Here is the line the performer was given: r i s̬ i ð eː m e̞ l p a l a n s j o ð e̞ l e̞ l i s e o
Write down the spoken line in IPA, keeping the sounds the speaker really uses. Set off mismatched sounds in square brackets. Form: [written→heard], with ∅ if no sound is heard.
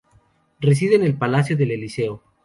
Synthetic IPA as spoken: r [i→e] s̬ i ð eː [m→n] e̞ l p a l a [n→∅] s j o ð e̞ l e̞ l i s e o